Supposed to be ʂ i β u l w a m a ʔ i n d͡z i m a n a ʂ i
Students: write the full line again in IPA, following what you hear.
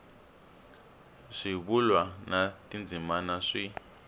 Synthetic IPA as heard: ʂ i β u l w a n a t i n d͡z i m a n a ʂ i